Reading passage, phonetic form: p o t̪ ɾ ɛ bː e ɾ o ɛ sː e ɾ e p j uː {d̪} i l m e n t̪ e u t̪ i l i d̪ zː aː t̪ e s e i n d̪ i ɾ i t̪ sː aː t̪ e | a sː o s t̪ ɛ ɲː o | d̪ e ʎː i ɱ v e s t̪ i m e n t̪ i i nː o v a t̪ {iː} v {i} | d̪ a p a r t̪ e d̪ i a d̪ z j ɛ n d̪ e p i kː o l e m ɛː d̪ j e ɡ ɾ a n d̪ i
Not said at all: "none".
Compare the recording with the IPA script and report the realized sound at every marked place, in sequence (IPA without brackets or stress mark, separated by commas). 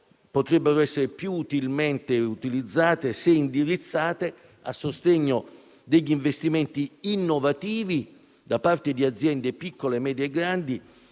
t̪, iː, i